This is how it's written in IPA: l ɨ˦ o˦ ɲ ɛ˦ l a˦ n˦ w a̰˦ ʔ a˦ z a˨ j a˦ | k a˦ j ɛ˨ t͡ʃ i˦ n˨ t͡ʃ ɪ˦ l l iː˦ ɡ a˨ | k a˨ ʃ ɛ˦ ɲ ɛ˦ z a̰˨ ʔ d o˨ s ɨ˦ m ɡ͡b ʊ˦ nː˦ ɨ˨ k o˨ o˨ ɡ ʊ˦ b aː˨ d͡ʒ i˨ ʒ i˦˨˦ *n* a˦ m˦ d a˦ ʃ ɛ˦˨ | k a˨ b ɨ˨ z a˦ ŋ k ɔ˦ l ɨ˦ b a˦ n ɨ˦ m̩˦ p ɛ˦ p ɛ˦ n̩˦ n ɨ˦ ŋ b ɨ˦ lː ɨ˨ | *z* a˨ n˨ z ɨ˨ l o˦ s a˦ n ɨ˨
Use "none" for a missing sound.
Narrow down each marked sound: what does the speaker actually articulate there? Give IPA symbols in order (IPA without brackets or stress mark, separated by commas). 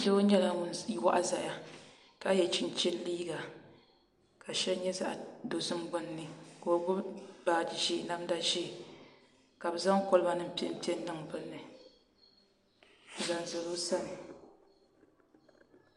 n, z